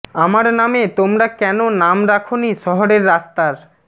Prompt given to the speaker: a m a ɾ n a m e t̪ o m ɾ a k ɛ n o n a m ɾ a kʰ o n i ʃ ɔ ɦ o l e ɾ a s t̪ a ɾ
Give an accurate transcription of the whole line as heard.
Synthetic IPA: a m a ɾ n a m e t̪ o m ɾ a k ɛ n o n a m ɾ a kʰ o n i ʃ ɔ ɦ o ɾ e ɾː a s t̪ a ɾ